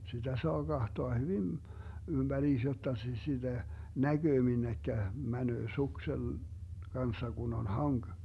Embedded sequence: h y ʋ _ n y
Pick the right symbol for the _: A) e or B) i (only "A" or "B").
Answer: B